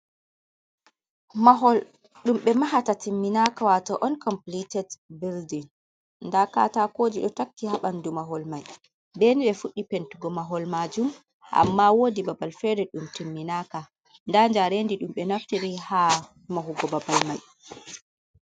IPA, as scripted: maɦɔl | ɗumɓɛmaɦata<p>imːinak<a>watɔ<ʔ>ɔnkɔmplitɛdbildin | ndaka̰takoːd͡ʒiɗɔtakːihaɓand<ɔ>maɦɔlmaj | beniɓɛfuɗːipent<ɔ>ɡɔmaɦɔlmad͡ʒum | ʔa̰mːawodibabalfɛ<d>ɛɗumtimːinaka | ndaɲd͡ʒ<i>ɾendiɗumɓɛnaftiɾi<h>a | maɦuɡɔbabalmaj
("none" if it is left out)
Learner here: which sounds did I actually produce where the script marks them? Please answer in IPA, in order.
t, a, ʔ, u, u, d, a, h

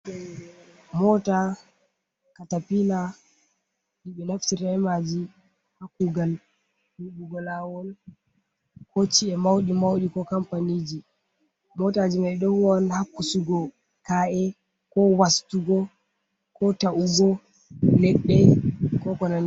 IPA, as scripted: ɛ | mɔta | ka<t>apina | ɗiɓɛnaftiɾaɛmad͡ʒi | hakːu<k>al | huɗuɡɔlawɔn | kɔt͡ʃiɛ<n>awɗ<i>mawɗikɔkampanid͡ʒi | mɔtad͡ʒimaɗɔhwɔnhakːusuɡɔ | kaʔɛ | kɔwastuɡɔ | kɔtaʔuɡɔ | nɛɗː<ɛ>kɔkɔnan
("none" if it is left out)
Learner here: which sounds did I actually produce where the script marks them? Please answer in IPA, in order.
t, ɡ, m, i, ɛ

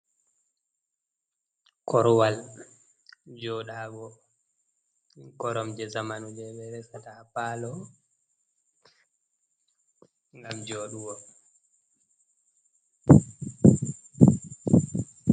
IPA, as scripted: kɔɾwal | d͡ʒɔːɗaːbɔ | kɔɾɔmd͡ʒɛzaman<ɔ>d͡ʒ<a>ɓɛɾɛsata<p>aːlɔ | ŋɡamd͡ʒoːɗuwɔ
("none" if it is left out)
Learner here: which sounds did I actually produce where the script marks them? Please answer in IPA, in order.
u, ɛ, p

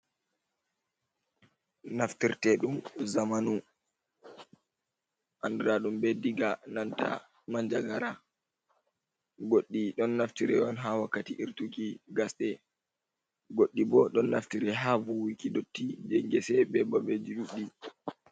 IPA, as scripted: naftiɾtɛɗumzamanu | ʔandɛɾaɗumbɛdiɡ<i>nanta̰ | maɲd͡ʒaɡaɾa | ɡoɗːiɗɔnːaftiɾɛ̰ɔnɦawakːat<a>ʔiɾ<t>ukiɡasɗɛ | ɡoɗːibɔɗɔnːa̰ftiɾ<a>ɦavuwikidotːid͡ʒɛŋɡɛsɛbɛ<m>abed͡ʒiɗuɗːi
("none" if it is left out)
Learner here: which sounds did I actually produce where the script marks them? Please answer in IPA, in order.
a, i, t, ɛ, b

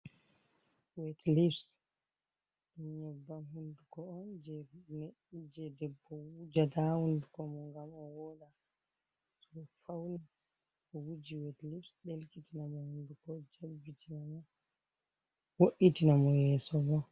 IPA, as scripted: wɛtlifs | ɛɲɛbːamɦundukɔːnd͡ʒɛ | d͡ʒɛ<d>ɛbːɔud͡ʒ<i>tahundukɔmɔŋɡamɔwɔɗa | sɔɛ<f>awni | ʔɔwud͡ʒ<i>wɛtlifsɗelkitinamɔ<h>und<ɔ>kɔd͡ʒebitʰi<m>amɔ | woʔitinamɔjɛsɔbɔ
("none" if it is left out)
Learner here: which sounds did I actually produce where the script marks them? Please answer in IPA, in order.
d, a, f, i, h, u, n

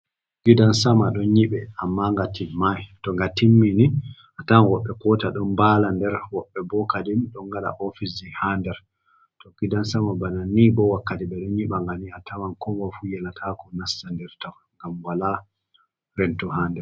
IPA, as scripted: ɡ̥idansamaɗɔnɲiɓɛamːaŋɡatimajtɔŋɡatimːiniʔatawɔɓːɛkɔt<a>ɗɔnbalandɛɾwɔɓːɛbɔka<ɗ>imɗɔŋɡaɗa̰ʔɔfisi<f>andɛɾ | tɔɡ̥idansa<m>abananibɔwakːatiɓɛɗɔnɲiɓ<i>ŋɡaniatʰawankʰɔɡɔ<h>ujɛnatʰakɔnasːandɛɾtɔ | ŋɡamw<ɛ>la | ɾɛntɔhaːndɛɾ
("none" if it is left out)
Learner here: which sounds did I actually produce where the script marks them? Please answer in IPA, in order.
a, d, h, m, a, f, a

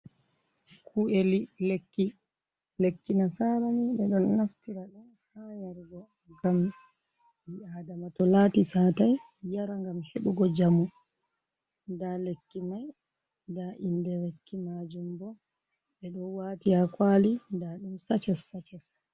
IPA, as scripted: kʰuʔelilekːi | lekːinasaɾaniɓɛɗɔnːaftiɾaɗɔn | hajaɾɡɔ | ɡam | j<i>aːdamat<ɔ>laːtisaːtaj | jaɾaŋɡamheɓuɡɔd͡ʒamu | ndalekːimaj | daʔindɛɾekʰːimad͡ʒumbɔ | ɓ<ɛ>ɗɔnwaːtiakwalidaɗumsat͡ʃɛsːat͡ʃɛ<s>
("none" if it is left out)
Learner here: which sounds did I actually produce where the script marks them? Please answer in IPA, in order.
i, ɔ, ɛ, s

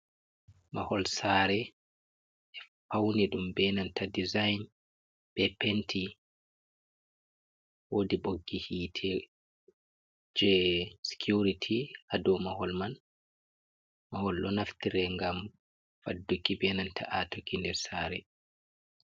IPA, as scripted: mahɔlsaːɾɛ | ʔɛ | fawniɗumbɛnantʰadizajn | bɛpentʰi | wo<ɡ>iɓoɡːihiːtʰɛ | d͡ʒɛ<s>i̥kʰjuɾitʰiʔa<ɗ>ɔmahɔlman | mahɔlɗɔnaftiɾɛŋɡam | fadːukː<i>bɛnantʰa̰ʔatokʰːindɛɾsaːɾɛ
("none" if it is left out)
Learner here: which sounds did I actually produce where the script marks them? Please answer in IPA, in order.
d, s, d, i

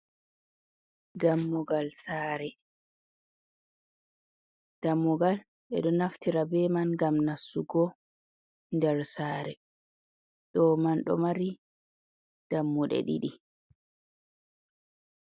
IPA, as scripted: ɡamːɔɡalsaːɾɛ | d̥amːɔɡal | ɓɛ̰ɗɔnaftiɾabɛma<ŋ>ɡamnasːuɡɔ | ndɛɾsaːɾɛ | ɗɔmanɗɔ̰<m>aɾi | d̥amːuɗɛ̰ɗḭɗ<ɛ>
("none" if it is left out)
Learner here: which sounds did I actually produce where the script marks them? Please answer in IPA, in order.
n, m, i

